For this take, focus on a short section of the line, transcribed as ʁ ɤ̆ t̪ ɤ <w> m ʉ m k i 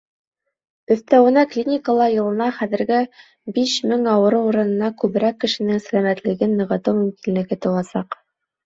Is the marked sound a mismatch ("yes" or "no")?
no